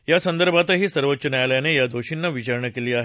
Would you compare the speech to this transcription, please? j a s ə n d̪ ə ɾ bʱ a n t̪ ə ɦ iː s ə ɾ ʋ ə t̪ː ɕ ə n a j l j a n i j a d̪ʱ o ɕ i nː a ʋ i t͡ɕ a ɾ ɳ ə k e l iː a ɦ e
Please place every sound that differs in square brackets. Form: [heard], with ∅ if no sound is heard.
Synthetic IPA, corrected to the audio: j a s ə n d̪ ə ɾ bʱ a [∅] t̪ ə ɦ iː s ə ɾ ʋ ə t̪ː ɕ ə n a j l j a n [e] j a d̪ʱ o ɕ i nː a ʋ i t͡ɕ a ɾ ɳ ə k e l iː a ɦ e